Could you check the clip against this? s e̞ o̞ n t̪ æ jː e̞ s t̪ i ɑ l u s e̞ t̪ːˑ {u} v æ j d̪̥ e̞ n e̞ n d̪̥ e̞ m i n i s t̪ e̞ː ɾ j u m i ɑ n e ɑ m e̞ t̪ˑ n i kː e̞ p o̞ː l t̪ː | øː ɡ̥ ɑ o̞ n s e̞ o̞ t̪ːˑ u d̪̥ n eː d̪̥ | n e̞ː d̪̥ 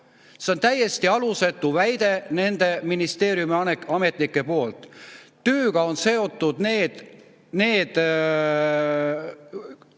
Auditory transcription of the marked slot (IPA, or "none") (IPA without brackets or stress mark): u